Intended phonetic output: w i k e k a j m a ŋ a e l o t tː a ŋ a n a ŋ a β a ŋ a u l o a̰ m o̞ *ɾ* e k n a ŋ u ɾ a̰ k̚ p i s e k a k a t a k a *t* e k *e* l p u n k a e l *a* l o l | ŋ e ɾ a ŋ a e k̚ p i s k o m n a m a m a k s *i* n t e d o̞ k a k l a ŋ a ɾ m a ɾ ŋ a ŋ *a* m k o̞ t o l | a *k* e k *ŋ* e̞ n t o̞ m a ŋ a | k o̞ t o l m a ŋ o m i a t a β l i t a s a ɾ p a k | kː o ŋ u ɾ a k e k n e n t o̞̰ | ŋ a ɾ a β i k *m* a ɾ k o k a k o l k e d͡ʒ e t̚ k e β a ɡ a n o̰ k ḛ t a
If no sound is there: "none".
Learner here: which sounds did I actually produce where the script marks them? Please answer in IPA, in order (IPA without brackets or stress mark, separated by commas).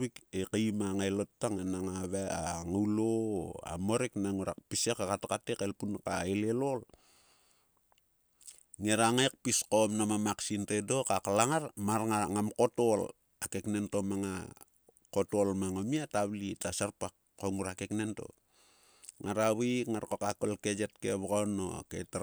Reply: ɾ, t, e, e, i, a, k, n, ŋ